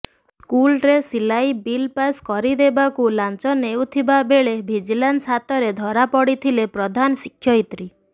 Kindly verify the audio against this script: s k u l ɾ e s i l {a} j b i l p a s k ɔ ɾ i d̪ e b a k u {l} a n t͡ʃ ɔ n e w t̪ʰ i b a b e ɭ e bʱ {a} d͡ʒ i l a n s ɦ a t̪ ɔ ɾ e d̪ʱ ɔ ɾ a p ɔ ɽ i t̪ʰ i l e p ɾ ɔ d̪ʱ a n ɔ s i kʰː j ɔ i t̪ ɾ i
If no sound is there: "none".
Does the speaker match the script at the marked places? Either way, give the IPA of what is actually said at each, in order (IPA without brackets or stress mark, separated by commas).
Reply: a, l, i